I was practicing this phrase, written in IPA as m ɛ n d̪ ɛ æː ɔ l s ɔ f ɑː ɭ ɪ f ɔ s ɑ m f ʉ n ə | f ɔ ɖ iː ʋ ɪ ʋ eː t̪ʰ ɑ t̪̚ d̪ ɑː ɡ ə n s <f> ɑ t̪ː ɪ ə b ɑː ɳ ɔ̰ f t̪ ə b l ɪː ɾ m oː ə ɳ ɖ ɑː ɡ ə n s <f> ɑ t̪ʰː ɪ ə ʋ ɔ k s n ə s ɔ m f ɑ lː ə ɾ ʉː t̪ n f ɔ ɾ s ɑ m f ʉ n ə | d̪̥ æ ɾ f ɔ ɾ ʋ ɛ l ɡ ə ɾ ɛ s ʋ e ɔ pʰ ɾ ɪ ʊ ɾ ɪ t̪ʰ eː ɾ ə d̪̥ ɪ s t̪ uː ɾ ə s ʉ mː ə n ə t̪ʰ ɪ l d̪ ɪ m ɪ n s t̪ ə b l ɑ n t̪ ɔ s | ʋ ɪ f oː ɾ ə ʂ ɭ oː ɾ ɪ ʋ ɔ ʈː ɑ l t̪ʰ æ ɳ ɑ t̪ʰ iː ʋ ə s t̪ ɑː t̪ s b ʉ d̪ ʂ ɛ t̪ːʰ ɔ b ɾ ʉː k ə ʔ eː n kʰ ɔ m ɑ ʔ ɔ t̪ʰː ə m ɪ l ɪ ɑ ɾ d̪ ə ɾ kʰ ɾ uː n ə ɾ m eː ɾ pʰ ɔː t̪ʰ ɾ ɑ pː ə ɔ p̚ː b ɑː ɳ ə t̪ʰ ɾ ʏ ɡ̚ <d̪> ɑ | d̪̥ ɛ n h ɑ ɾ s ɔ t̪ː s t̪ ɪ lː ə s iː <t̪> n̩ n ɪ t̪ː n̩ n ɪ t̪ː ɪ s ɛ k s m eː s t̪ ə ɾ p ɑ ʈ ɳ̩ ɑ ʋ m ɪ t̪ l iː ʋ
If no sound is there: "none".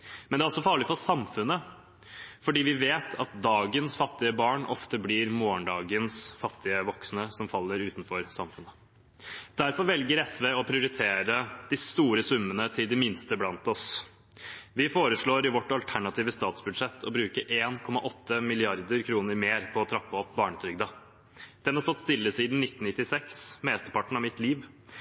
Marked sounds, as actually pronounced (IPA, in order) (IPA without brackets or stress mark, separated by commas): f, f, d̪, d̪